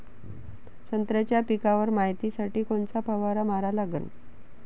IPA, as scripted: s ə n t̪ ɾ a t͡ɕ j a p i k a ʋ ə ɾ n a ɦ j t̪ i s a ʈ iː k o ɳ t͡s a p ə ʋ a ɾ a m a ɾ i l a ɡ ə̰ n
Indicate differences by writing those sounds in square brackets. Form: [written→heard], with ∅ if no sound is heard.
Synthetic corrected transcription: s ə n t̪ ɾ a t͡ɕ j a p i k a ʋ ə ɾ [n→m] a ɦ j t̪ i s a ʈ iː k o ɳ t͡s a p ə ʋ a ɾ a m a ɾ [i→a] l a ɡ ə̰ n